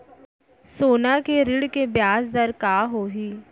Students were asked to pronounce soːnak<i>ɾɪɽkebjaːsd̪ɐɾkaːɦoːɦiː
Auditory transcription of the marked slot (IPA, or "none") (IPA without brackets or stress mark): e